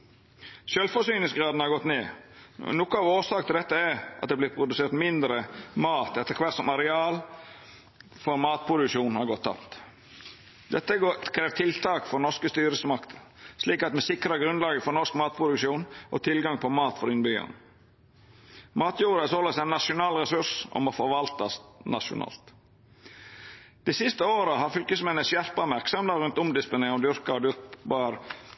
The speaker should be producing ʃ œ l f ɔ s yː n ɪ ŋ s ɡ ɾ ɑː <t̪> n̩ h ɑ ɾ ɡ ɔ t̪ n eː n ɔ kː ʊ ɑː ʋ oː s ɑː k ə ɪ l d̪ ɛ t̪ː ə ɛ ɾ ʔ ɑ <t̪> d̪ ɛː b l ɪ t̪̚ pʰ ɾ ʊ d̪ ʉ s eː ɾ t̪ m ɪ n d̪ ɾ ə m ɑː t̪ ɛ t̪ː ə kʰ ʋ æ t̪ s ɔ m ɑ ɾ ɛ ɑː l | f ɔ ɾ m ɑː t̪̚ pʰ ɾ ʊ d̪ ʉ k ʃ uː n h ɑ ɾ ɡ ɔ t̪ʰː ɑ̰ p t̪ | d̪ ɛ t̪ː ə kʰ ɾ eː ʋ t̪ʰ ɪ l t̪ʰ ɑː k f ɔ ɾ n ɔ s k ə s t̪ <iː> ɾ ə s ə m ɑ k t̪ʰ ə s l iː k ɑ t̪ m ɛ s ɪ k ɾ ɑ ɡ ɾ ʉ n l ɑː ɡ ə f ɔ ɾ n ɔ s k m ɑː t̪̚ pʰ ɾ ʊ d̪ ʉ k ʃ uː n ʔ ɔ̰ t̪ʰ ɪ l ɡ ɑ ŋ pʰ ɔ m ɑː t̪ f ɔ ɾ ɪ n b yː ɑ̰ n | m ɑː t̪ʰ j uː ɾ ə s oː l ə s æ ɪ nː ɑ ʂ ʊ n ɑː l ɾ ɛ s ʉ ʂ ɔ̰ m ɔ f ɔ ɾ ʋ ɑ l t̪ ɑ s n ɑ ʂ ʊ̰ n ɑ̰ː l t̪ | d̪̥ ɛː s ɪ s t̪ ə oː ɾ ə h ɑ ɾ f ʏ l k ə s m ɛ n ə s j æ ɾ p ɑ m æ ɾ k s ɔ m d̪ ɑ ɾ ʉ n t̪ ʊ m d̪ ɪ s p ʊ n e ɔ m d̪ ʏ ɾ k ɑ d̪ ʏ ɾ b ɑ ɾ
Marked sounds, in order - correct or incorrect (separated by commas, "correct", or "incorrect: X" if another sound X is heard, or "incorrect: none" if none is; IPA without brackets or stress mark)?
incorrect: d̪, correct, incorrect: yː